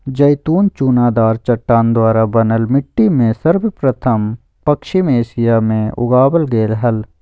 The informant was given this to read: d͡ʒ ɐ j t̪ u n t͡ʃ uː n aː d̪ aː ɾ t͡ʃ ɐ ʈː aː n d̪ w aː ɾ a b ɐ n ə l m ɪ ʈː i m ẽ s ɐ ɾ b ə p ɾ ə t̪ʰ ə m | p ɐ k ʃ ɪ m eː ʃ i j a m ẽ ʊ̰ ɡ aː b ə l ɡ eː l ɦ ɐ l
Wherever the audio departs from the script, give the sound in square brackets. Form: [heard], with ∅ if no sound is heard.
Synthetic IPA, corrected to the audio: d͡ʒ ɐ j t̪ [uː] n t͡ʃ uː n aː d̪ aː ɾ t͡ʃ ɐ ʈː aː n d̪ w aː ɾ a b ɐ n ə l m ɪ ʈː i m ẽ s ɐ ɾ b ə p ɾ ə t̪ʰ ə m | p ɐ k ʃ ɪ m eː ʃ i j a m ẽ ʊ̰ ɡ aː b ə l ɡ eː l ɦ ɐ l